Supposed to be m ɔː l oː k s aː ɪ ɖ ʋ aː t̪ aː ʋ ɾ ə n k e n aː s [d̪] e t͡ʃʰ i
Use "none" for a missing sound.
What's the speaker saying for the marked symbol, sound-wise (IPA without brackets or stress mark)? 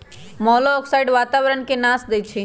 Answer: d̪